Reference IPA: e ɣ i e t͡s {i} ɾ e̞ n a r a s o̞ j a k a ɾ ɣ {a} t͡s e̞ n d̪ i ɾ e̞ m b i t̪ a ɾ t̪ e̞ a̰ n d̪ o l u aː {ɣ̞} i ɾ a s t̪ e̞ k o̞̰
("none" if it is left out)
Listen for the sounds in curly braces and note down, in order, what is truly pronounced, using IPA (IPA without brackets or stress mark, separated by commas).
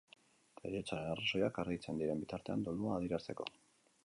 a, i, ð̞